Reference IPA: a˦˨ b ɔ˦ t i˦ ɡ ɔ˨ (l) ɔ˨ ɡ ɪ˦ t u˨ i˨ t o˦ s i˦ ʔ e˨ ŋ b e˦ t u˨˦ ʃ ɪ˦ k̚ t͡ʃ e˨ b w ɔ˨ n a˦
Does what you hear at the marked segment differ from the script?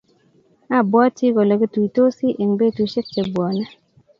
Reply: no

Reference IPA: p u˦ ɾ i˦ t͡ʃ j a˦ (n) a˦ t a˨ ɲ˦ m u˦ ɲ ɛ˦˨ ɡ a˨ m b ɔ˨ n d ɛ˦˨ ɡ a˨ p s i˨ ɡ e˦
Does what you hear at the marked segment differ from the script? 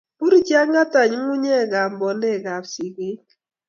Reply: yes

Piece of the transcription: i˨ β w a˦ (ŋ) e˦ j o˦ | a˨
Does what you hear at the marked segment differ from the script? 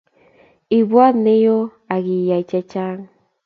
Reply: yes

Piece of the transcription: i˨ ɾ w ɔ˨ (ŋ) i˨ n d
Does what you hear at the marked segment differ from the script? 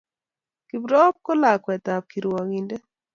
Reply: no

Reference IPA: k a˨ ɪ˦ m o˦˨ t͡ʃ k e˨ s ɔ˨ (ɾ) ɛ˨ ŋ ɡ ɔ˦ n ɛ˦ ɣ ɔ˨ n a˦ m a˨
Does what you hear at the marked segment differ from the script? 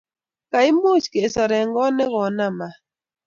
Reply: no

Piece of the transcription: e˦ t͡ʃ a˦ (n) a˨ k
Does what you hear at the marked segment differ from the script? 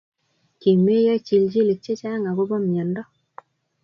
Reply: yes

